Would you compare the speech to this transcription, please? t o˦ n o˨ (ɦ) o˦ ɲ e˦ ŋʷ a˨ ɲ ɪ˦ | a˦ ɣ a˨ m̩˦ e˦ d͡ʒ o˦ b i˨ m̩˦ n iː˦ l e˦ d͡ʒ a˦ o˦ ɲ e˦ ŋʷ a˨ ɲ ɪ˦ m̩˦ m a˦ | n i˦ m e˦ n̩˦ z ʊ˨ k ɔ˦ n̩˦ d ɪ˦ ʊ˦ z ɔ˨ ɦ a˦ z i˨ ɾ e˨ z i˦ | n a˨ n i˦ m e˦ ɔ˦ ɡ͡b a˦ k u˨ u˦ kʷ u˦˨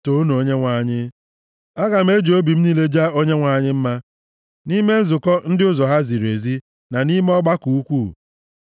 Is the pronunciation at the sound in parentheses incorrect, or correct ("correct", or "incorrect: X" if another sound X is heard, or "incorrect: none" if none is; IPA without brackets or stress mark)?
incorrect: none